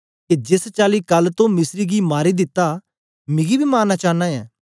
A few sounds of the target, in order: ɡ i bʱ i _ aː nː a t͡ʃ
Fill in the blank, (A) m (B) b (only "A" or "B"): A